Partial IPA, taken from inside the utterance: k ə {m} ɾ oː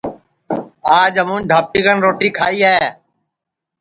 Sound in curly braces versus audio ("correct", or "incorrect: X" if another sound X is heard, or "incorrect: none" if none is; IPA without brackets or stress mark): incorrect: n